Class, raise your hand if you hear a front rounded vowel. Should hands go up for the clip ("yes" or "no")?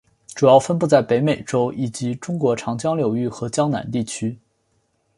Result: yes